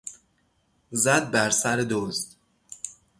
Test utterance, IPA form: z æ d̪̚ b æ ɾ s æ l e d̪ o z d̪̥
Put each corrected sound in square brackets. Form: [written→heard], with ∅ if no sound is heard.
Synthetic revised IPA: z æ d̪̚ b æ ɾ s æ [l→ɾ] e d̪ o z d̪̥